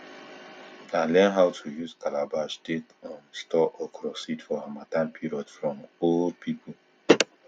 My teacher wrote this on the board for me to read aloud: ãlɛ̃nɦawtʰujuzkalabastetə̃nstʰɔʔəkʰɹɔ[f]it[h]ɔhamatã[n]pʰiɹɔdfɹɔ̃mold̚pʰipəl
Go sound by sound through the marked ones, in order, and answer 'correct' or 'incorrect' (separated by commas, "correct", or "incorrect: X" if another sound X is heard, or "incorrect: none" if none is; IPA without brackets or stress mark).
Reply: incorrect: s, incorrect: f, correct